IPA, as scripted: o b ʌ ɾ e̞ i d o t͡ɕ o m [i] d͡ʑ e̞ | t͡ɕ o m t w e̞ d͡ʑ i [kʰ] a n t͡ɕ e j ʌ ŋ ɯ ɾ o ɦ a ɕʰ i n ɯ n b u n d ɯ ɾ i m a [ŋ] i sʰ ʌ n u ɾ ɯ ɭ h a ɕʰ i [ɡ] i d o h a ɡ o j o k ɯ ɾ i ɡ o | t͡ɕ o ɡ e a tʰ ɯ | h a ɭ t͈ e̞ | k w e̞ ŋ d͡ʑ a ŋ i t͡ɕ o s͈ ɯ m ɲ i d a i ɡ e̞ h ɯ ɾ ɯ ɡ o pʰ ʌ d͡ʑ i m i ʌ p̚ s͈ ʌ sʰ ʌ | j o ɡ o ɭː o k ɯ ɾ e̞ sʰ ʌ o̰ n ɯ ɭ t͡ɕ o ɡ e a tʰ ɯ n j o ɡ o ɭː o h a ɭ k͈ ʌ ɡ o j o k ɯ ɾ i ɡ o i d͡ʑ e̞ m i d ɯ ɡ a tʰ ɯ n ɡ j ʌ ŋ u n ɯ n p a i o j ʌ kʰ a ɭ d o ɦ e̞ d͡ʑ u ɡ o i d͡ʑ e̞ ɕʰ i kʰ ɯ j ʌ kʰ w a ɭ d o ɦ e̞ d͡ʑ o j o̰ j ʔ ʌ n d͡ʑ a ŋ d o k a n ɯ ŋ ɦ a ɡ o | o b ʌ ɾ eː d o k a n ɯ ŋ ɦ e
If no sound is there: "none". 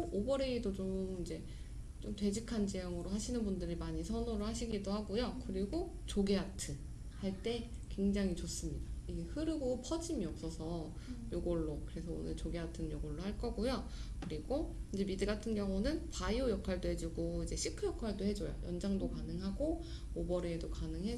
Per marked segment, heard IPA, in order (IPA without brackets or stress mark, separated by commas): i, kʰ, ɲ, ɡ